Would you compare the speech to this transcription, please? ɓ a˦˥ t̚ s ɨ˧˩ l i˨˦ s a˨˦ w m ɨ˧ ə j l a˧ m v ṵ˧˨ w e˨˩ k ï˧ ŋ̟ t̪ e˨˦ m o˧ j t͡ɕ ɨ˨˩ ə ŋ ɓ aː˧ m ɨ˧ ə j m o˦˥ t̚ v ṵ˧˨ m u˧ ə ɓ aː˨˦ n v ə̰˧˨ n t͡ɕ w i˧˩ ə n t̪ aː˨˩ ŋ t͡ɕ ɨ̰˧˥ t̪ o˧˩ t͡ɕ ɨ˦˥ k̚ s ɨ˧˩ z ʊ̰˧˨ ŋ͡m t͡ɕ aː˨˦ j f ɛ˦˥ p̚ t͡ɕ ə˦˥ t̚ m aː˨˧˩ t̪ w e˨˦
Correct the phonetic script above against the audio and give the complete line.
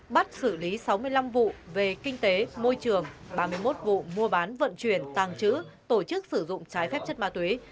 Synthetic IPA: ɓ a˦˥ t̚ s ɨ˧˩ l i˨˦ s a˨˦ w m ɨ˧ ə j l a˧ m v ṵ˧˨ v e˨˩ k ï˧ ŋ̟ t̪ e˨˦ m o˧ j t͡ɕ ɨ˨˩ ə ŋ ɓ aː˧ m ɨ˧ ə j m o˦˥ t̚ v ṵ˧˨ m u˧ ə ɓ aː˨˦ n v ə̰˧˨ n t͡ɕ w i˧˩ ə n t̪ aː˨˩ ŋ t͡ɕ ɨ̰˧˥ t̪ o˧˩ t͡ɕ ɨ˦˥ k̚ s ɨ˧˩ z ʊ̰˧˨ ŋ͡m t͡ɕ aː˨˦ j f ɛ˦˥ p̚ t͡ɕ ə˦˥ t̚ m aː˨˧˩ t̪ w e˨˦